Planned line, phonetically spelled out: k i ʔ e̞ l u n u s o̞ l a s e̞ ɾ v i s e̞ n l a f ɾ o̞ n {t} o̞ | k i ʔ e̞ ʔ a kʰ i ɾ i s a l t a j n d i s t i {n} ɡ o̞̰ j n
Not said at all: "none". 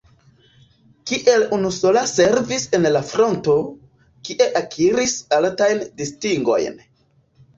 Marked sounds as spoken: t, ŋ

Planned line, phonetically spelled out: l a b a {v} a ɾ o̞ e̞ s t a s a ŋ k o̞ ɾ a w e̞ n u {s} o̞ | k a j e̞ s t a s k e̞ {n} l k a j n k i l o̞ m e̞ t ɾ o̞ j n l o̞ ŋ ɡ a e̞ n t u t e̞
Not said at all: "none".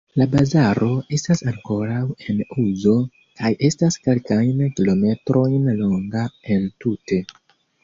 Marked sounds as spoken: z, z, none

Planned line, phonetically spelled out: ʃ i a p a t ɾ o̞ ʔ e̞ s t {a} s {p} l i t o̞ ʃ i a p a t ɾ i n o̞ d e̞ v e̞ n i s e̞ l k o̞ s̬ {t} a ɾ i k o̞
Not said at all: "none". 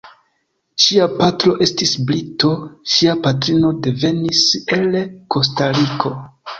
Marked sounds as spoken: i, b, t

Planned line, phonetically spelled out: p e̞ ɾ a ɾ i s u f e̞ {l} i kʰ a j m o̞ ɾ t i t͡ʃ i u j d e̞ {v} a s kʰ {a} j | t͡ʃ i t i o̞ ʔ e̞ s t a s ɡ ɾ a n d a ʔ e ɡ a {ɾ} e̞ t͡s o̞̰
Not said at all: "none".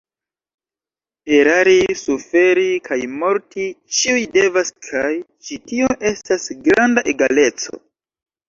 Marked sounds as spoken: ɾ, v, a, l

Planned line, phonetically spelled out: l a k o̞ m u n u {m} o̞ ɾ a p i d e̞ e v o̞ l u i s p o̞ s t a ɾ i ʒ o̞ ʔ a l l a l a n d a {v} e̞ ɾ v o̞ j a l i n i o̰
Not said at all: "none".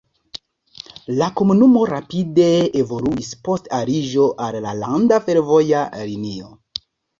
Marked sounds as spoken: m, f

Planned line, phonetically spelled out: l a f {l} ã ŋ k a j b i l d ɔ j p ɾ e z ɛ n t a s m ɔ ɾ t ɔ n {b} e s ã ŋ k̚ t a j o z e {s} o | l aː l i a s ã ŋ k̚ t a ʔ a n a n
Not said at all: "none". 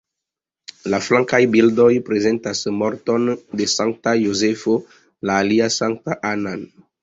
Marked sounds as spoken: l, d, f

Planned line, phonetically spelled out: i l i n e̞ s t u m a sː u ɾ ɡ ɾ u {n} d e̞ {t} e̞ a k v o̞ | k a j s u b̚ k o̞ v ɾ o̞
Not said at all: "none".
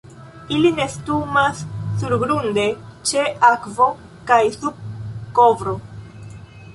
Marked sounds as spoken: n, t͡ʃ

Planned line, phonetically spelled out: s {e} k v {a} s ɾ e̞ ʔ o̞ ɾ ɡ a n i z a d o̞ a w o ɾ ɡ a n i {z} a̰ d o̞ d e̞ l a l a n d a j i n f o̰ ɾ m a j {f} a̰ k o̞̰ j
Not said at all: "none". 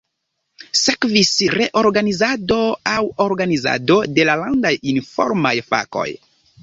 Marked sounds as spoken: e, i, z, f

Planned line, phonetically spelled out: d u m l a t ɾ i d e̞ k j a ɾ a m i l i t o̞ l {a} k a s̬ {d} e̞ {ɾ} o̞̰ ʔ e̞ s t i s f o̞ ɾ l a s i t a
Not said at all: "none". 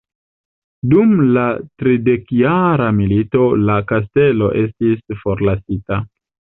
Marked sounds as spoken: a, t, l

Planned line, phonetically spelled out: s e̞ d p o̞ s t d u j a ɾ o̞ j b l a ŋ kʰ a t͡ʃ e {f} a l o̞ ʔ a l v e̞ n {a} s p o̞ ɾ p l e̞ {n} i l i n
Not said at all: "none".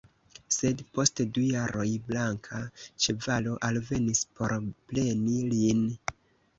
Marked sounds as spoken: v, i, n

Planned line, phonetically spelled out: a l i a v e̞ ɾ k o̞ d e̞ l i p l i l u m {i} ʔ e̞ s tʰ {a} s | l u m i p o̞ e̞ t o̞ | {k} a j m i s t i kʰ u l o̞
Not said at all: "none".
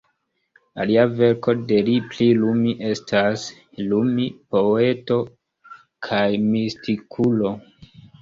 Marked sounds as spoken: i, a, kʰ

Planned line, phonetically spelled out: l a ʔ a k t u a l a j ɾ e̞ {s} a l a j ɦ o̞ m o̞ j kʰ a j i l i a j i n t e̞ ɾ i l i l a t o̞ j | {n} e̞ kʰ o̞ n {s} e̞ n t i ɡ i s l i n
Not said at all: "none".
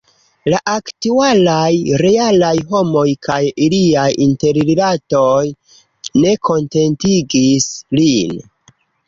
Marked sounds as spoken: none, n, t

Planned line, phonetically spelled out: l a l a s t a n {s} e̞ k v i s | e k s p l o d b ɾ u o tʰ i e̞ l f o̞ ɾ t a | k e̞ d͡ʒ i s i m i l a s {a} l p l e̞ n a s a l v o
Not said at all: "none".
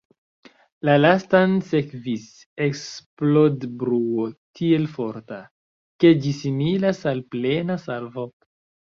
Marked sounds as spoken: s, a

